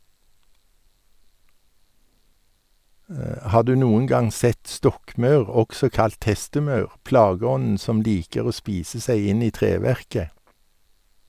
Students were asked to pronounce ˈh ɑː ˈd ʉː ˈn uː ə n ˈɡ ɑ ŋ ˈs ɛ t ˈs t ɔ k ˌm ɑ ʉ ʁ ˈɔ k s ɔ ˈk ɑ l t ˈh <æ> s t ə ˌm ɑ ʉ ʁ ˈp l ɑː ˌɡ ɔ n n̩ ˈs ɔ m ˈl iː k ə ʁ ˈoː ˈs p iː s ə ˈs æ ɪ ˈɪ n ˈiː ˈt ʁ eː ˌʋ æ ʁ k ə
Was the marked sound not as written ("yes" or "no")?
yes